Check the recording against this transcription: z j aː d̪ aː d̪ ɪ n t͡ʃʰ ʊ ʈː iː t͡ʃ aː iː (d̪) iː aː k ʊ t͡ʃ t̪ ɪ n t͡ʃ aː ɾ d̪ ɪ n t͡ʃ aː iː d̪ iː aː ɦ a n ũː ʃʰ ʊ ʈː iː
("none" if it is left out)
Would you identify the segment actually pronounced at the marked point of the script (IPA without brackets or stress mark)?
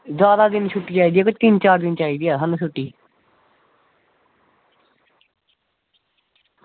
d̪